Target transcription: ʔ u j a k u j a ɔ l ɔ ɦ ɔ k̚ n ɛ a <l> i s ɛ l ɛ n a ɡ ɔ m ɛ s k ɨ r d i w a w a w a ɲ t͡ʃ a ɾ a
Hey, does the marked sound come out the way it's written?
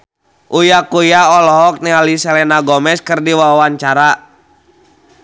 yes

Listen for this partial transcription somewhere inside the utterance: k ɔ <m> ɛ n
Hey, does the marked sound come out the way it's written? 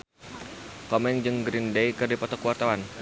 yes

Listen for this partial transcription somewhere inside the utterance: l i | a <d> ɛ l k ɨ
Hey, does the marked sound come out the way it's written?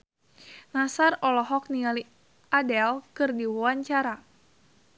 yes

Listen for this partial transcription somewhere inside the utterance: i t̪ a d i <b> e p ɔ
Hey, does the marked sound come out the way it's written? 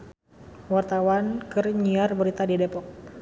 no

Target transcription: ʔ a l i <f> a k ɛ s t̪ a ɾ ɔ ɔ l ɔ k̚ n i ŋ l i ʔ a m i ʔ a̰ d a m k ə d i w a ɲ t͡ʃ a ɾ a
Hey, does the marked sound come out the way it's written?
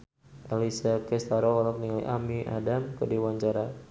no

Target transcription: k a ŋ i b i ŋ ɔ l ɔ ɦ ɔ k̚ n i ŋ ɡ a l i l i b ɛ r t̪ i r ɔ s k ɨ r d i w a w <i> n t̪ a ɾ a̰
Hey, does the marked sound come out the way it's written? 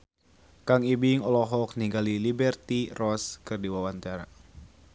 no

